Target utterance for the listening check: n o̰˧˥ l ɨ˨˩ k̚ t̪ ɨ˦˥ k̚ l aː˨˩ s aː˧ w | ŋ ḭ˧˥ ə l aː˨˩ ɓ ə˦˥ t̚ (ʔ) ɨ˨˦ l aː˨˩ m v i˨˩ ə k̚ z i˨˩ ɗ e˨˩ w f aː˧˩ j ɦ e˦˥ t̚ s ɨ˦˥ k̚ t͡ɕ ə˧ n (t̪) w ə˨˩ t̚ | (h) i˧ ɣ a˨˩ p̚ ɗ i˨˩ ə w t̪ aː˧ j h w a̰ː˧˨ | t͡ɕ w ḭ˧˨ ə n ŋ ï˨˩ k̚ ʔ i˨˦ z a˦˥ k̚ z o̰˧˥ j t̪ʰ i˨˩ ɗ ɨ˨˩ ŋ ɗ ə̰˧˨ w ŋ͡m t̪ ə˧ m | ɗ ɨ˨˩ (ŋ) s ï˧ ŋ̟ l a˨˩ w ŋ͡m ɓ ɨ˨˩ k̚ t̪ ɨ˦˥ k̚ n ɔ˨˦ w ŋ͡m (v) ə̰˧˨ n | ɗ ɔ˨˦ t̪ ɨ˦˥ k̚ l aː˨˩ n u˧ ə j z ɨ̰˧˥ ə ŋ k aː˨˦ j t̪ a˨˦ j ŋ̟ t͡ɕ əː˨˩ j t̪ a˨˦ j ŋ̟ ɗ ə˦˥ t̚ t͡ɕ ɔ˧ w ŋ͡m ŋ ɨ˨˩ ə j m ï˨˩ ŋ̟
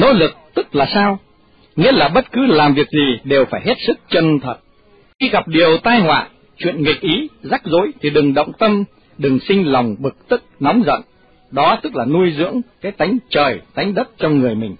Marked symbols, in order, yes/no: no, no, no, yes, no

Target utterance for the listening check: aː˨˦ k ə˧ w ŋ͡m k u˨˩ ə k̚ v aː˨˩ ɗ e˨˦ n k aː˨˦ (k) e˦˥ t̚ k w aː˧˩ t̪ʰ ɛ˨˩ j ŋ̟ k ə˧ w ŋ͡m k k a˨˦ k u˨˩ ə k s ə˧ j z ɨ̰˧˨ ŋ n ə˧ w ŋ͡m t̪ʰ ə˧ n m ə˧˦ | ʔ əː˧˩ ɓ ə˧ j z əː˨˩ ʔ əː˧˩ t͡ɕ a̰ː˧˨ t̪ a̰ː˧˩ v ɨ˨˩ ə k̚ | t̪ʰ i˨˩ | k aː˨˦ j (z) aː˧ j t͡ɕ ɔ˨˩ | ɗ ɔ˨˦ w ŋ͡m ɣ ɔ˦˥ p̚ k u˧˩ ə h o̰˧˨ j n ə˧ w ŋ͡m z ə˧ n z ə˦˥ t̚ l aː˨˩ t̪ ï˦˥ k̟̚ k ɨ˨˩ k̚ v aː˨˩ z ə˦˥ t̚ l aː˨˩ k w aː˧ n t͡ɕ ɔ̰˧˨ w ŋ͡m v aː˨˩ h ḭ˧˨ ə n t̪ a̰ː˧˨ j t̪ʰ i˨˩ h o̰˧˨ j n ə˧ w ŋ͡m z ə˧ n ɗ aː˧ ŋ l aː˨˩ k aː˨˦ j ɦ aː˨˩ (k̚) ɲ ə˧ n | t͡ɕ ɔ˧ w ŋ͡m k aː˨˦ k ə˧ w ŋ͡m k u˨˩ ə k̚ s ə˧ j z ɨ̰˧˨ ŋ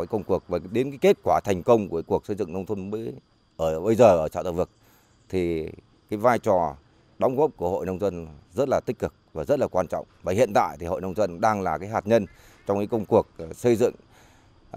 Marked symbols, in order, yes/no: yes, no, no

